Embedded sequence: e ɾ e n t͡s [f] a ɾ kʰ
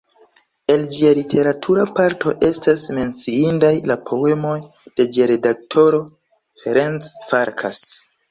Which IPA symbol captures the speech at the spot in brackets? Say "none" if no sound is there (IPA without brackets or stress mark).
f